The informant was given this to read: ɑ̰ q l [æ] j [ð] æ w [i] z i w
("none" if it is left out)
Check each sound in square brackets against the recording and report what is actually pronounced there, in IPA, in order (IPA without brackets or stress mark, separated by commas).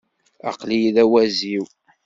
i, ð, æ